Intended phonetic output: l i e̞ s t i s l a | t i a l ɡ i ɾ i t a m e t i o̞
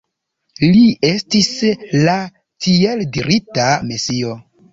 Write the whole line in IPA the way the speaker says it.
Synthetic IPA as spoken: l i e̞ s t i s l a | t i e l d i ɾ i t a m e s i o̞